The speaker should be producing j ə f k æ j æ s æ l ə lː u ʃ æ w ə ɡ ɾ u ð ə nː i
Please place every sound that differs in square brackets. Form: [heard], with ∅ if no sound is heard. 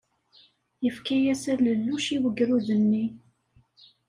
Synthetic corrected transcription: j ə f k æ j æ s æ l ə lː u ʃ [i] w ə ɡ ɾ u ð ə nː i